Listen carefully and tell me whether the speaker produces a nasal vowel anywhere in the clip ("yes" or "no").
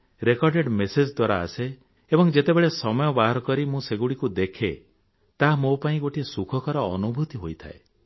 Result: yes